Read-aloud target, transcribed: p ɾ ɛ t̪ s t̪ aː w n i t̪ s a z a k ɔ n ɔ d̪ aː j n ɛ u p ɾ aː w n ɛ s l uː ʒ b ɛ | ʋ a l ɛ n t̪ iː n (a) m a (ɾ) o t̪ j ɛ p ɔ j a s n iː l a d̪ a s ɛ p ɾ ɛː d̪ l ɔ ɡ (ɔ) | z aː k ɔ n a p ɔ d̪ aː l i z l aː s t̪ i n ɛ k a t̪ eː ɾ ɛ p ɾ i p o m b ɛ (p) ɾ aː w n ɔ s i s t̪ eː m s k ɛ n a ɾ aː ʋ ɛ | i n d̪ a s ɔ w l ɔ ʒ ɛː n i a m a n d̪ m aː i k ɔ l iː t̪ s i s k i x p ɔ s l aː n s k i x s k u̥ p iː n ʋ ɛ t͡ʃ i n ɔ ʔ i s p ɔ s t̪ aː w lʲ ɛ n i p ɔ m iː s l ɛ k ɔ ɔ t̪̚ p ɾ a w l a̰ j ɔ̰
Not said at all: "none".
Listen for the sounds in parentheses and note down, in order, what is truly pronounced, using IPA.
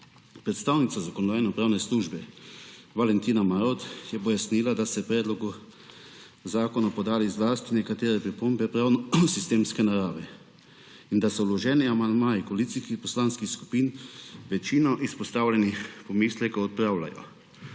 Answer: a, ɾ, u, p

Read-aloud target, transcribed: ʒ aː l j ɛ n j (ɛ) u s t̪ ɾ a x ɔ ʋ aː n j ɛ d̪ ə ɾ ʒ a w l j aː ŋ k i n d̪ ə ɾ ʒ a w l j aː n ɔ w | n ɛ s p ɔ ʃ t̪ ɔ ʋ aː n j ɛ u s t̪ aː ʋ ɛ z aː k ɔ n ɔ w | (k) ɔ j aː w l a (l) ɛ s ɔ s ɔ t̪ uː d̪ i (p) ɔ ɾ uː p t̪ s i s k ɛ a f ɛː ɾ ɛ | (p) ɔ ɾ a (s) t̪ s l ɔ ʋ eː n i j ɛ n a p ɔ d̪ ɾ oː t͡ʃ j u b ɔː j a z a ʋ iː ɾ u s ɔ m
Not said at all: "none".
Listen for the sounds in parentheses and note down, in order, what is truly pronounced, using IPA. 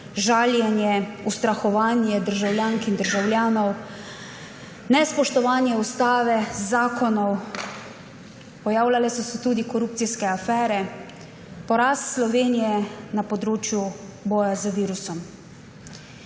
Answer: ɛ, p, l, k, p, s

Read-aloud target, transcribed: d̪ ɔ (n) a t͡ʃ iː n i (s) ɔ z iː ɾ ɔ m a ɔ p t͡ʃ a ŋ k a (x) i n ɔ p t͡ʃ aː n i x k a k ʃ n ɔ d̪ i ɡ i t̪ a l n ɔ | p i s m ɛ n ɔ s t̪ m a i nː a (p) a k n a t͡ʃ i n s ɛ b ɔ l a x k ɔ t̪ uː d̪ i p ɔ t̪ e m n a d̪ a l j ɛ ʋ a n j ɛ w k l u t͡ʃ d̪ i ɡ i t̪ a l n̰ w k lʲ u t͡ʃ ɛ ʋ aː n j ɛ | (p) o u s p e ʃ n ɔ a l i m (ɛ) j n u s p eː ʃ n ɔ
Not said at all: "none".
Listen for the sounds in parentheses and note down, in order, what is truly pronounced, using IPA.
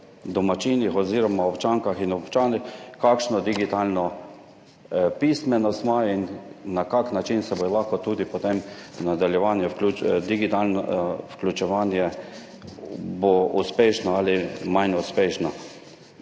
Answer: m, x, x, k, b, a

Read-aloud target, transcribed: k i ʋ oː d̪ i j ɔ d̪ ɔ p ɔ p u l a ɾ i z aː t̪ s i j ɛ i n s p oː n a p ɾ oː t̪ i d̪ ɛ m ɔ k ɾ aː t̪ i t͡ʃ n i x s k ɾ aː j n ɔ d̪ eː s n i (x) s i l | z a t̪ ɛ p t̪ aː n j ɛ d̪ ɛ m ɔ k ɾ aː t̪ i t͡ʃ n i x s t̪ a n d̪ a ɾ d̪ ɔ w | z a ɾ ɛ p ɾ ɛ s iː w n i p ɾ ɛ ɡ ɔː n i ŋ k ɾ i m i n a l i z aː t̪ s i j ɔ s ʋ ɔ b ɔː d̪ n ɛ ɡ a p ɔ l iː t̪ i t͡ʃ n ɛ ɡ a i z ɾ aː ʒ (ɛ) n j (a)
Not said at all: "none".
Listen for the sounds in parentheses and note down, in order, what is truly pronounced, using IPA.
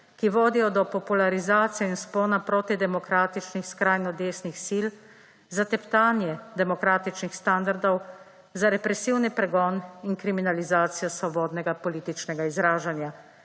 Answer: x, a, a

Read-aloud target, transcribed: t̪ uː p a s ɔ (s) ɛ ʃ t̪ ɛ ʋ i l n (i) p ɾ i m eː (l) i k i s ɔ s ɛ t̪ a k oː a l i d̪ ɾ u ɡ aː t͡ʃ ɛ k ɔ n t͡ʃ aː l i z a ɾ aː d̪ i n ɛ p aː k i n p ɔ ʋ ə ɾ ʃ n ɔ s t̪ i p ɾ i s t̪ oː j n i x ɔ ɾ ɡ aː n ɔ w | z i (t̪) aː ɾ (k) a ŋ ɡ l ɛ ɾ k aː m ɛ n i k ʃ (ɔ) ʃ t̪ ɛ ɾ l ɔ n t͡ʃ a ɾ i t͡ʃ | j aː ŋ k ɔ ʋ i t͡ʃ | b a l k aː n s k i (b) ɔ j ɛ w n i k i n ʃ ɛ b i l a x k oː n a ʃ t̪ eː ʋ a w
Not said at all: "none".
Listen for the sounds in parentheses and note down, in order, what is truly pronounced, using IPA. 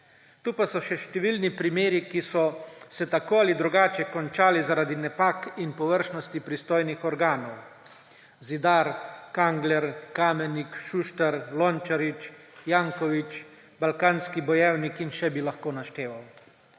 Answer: ʃ, i, ɾ, d̪, k, u, b

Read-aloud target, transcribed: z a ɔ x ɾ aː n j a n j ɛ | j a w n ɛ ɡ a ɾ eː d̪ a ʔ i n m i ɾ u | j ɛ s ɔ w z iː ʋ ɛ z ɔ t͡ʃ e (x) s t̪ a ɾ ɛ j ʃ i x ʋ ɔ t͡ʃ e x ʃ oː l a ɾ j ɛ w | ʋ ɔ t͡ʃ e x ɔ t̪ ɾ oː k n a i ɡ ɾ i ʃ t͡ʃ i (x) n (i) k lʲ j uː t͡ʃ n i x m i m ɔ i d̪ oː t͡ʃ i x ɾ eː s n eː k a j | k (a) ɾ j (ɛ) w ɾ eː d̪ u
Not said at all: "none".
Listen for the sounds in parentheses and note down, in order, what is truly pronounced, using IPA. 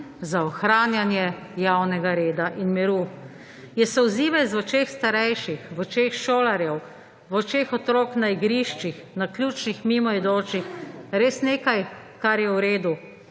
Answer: x, x, a, a, ɛ

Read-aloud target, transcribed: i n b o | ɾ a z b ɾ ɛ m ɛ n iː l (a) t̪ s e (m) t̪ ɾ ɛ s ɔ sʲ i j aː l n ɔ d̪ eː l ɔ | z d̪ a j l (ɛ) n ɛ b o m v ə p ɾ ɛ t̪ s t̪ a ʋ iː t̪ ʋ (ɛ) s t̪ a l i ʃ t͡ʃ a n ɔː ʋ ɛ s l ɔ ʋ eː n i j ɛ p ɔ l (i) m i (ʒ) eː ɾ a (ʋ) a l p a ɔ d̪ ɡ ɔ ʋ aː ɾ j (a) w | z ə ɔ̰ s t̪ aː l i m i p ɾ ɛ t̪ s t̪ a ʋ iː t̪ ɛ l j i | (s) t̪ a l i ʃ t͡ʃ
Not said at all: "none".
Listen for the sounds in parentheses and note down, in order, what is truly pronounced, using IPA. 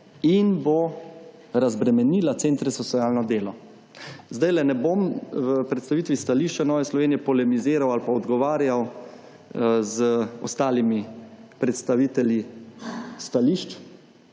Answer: a, n, ɛ, i, ɛ, z, w, a, s

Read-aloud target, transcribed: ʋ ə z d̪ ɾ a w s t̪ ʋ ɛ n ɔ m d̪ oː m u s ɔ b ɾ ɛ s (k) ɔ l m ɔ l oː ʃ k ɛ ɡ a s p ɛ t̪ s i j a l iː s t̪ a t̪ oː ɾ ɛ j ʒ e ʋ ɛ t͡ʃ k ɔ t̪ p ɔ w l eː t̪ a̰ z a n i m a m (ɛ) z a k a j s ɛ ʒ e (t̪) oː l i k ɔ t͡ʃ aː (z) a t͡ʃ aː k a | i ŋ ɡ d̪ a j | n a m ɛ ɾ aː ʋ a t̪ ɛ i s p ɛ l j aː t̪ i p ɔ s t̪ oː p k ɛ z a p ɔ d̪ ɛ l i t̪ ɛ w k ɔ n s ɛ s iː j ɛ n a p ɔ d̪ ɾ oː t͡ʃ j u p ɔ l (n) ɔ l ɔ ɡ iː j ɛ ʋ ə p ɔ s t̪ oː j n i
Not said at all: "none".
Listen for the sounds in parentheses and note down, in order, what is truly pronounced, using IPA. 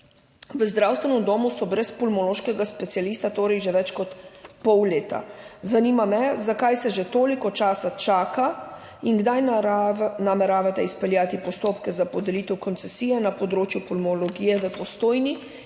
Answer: p, ɛ, t̪, s, m

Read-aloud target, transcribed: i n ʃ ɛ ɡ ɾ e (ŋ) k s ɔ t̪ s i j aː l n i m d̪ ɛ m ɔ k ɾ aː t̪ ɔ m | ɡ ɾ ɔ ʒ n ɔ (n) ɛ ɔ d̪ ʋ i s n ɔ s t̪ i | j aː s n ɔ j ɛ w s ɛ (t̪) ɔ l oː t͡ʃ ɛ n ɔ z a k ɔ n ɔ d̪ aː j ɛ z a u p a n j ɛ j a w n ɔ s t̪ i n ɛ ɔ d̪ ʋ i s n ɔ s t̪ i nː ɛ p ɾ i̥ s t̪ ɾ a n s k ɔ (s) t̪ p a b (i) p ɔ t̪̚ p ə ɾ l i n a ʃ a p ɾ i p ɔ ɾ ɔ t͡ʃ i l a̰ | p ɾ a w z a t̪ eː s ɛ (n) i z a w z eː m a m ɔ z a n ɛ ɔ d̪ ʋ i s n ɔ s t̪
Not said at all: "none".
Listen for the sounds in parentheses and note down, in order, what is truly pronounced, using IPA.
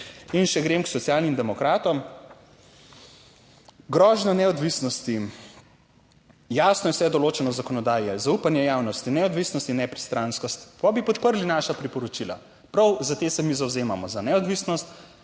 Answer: m, n, d̪, s, i, m

